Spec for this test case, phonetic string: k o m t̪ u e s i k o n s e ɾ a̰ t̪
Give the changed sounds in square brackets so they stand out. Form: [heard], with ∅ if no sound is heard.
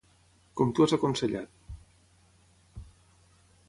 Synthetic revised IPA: k o m t̪ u [a] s [a] k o n s e [ʎ] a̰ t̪